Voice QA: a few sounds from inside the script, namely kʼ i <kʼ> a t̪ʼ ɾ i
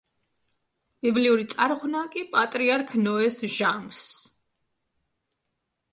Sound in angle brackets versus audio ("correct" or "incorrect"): incorrect